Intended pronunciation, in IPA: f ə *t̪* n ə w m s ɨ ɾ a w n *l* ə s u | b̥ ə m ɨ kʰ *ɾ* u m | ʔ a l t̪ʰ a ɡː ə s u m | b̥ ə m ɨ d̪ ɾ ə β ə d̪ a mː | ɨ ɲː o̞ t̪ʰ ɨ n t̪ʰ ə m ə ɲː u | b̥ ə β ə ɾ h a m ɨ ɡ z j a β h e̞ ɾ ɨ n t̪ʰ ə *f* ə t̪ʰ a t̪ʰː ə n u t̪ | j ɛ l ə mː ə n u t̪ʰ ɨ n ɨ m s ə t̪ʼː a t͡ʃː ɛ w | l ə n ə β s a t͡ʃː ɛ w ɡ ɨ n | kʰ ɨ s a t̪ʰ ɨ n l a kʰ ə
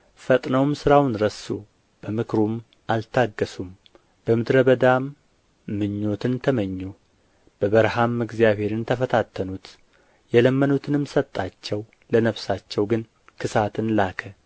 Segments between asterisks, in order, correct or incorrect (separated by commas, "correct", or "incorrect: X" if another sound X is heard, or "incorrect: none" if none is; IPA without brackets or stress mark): incorrect: t̪ʼ, incorrect: ɾ, correct, correct